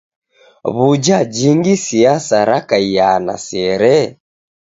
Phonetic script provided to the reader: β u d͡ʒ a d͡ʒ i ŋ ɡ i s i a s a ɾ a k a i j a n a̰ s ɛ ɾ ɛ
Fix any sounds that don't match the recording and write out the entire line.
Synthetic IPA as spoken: β u d͡ʒ a d͡ʒ i ŋ ɡ i s i a s a ɾ a k a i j a n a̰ s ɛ ɾ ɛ